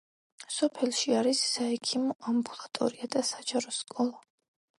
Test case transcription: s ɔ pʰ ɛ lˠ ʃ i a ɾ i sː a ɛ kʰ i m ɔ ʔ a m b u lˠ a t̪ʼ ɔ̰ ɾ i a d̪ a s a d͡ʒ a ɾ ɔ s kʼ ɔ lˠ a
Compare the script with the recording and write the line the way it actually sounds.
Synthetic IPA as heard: s ɔ pʰ ɛ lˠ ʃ i a ɾ i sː a ɛ kʰ i m ɔ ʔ a m b u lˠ a t̪ʼ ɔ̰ ɾ i a d̪ a s a d͡ʒ a ɾ ɔ s kʼ ɔ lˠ a